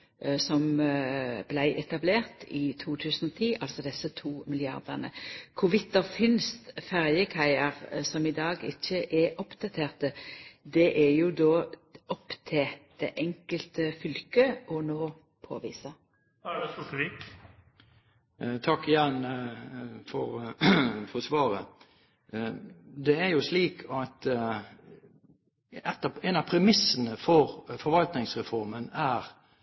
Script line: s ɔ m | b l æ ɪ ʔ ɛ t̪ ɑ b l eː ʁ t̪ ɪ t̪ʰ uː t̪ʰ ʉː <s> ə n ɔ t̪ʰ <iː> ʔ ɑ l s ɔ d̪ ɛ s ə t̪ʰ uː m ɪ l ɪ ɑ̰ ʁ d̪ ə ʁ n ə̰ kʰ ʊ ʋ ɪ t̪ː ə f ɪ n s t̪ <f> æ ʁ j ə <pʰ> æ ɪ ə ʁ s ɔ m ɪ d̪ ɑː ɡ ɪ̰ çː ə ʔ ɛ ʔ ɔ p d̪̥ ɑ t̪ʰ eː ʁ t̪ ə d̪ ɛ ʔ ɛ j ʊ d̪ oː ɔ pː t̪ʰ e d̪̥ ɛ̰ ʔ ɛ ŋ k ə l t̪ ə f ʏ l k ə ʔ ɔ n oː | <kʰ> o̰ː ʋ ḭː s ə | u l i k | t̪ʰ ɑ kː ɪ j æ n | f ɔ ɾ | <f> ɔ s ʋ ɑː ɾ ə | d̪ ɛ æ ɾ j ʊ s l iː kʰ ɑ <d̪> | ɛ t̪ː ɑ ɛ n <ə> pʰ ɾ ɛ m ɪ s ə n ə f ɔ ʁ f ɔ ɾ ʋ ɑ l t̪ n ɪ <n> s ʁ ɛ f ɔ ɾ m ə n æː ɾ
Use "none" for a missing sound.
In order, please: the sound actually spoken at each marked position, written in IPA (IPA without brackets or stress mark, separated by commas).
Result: s, iː, f, kʰ, pʰ, f, t̪, ɑ, ŋ